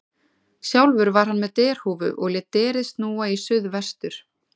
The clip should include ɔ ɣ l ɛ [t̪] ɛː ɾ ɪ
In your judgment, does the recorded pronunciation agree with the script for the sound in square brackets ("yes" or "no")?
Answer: yes